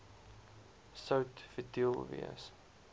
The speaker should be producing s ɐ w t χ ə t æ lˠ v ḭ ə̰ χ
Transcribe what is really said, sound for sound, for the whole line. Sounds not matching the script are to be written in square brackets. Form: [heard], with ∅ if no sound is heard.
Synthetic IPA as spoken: s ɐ w t [f] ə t [i] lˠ v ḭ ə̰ [s]